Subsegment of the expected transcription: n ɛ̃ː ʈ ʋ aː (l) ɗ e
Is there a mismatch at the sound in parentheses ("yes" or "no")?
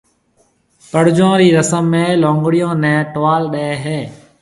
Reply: no